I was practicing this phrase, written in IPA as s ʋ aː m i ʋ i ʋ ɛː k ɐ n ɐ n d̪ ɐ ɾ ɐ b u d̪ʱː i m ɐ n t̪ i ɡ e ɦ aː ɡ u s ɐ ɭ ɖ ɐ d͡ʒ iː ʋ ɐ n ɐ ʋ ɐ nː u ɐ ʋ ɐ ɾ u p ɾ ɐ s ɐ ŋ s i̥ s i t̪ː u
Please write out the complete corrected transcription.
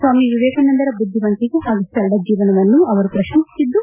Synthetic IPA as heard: s ʋ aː m i ʋ i ʋ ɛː k ɐ n ɐ n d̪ ɐ ɾ ɐ b u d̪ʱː i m ɐ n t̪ i ɡ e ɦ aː ɡ u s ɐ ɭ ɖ ɐ d͡ʒ iː ʋ ɐ n ɐ ʋ ɐ nː u ɐ ʋ ɐ ɾ u p ɾ ɐ ʃ ɐ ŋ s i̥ s i d̪ː u